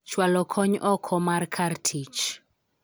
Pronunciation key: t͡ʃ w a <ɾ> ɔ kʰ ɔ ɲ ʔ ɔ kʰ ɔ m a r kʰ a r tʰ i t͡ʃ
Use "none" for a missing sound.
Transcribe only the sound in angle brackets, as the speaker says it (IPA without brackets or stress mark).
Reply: l